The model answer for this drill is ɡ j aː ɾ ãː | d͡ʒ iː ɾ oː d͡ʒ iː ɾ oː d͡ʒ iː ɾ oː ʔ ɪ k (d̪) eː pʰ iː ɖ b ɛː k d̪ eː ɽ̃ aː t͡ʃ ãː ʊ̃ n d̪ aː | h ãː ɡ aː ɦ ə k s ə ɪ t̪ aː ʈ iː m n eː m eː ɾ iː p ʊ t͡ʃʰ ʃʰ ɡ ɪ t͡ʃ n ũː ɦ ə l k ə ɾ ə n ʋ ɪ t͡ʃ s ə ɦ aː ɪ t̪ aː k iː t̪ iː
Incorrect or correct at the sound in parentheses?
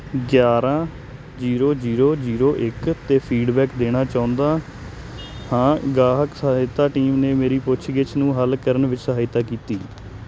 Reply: incorrect: t̪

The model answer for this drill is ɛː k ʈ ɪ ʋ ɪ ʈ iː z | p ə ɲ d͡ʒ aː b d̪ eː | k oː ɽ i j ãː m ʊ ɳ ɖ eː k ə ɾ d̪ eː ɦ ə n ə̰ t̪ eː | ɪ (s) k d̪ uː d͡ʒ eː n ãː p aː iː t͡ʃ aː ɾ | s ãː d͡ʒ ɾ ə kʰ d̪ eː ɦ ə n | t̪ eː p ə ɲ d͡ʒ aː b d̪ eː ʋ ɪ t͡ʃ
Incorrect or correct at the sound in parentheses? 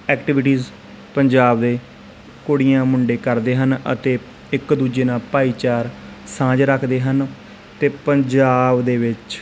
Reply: incorrect: none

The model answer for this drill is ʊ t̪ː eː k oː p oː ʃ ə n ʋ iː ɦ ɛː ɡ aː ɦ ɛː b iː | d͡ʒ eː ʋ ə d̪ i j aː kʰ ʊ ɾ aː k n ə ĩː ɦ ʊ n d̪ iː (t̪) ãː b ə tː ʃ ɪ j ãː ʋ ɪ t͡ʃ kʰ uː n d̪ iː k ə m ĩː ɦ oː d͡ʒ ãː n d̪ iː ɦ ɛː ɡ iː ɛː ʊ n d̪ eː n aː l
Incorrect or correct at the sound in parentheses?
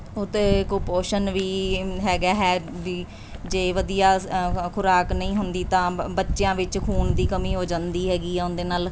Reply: correct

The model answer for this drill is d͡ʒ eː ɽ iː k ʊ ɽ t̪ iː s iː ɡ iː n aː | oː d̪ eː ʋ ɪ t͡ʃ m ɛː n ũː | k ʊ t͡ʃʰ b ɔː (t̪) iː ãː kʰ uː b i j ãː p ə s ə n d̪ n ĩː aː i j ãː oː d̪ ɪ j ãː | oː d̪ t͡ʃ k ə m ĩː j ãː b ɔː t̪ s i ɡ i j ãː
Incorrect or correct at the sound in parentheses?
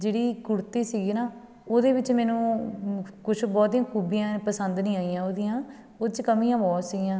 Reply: correct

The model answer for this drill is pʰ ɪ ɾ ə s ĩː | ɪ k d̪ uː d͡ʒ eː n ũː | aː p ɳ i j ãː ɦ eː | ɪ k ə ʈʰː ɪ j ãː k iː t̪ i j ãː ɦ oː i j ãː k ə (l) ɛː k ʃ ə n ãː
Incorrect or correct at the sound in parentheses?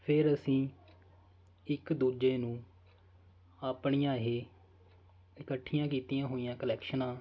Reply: correct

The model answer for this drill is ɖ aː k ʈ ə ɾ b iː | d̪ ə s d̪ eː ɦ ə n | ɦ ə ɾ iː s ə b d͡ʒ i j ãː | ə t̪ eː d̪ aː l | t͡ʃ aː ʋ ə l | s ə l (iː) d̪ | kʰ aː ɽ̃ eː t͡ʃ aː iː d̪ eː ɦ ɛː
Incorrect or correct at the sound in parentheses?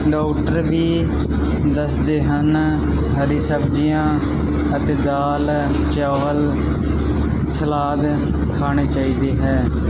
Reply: incorrect: aː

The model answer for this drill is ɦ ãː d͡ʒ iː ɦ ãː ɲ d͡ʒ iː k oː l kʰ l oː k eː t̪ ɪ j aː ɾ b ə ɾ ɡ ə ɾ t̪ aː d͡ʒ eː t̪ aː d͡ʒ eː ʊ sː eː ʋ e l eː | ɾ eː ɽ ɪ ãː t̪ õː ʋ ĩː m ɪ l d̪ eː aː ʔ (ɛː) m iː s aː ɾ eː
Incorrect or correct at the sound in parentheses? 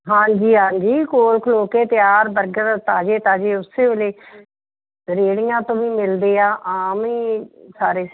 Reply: incorrect: aː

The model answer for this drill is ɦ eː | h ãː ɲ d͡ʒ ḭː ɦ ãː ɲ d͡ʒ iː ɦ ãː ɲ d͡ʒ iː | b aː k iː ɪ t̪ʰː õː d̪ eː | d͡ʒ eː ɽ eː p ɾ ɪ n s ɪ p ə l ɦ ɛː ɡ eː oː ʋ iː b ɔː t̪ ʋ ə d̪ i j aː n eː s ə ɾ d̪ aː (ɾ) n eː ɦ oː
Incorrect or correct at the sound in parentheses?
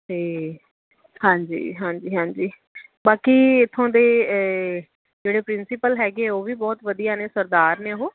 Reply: correct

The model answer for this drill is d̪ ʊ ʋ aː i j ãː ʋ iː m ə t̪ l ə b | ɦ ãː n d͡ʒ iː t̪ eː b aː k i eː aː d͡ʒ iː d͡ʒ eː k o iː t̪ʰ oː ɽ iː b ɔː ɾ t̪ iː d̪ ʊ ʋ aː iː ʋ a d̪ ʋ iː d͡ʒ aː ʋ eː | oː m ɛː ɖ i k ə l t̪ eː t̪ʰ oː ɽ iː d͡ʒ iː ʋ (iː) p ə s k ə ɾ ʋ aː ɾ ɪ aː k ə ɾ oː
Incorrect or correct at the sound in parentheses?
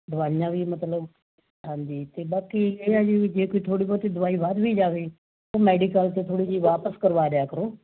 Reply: incorrect: aː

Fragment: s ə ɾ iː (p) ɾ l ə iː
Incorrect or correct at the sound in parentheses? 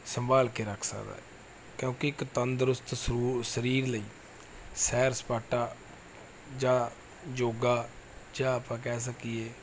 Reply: incorrect: none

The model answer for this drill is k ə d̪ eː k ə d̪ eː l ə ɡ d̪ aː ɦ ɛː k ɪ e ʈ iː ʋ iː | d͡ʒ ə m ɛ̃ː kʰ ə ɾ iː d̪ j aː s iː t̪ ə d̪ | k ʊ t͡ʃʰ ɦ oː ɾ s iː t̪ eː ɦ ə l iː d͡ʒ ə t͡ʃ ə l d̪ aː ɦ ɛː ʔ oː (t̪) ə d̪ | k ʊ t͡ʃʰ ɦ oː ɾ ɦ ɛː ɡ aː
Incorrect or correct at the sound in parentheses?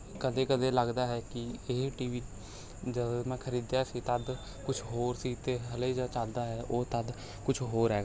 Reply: correct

